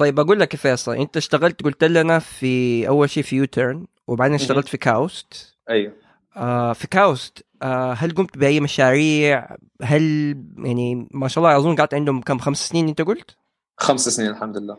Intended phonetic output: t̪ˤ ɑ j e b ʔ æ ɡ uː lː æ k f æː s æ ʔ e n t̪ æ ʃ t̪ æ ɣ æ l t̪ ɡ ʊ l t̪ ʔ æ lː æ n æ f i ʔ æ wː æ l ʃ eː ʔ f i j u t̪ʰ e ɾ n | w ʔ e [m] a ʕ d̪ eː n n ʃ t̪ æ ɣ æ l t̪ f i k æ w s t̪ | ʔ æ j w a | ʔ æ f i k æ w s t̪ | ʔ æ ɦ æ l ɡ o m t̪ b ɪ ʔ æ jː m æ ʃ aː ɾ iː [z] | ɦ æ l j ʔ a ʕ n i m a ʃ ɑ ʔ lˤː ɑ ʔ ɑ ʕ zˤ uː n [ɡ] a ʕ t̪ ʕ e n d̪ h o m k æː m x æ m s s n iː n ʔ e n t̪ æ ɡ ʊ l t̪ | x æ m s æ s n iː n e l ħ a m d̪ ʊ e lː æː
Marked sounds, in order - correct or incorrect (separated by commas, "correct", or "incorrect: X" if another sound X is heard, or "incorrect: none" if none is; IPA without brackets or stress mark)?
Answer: incorrect: b, incorrect: ʕ, correct